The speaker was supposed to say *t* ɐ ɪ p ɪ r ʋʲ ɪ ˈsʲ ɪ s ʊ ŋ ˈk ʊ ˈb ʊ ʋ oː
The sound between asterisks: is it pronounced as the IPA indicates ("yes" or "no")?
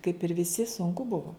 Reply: no